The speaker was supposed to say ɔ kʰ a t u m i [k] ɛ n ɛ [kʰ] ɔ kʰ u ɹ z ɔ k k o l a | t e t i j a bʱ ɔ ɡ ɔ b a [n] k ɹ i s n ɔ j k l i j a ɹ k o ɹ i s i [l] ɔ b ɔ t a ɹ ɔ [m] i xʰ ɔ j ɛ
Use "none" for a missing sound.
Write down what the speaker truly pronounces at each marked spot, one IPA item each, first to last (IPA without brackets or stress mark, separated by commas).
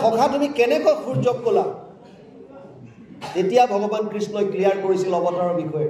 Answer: k, k, n, l, b